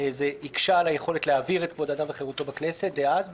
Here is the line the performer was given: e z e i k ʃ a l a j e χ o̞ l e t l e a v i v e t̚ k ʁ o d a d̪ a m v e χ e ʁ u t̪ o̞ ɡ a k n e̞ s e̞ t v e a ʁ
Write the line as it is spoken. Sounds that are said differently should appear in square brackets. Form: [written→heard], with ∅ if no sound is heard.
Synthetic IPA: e z e i k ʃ a l a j e χ o̞ l e t l e a v i [v→ʁ] e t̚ k [ʁ→v] o d a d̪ a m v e χ e ʁ u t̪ o̞ [ɡ→b] a k n e̞ s e̞ t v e a [ʁ→z]